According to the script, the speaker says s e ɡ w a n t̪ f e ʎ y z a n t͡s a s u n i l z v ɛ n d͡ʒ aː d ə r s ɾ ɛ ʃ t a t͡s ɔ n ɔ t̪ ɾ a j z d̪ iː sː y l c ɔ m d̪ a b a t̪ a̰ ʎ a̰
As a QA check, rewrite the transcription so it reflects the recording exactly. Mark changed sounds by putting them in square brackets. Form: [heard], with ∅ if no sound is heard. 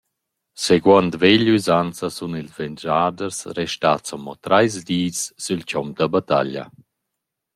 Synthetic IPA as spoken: s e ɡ w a n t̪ [v] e ʎ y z a n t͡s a s u n i l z v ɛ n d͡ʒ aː d ə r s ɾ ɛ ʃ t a t͡s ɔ [m] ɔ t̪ ɾ a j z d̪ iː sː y l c ɔ m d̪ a b a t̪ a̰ ʎ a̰